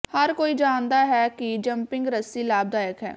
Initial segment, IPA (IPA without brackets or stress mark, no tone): h